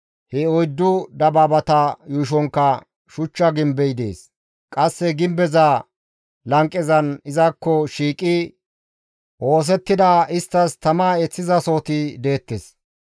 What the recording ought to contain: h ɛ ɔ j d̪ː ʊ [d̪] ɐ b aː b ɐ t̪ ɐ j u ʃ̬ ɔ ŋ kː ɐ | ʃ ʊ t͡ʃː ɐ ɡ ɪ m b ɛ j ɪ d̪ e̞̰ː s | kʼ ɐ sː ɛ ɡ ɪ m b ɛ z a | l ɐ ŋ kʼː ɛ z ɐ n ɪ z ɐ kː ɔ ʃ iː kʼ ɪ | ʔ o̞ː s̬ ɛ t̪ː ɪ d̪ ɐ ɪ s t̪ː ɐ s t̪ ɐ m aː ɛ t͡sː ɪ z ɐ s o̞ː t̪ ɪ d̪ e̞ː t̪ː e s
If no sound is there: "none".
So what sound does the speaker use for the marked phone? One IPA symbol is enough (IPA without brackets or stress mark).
d̪